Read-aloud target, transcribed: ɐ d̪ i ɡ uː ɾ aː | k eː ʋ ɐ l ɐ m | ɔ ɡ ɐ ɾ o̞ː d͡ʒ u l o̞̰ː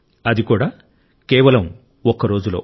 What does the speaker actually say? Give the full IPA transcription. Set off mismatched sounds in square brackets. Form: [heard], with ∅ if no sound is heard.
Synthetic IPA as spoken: ɐ d̪ i [k] uː [ɽ] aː | k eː ʋ ɐ l ɐ m | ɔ [k] ɐ ɾ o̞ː d͡ʒ u l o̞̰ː